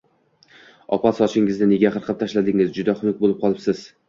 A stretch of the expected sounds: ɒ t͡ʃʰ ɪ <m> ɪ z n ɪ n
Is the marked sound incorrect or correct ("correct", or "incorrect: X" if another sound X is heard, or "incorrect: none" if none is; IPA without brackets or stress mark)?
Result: incorrect: ŋ